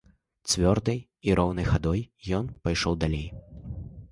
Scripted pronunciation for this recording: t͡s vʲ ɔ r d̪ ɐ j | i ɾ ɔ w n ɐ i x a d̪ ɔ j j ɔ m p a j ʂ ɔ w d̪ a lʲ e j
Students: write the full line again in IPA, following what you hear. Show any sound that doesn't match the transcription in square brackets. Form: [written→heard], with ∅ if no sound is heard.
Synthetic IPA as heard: t͡s vʲ ɔ r d̪ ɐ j | i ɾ ɔ w n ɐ [i→j] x a d̪ ɔ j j ɔ [m→n] p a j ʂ ɔ w d̪ a lʲ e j